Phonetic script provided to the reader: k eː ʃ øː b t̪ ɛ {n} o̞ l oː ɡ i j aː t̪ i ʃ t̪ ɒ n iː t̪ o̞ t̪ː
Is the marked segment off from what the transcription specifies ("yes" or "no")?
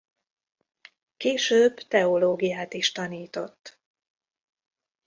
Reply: yes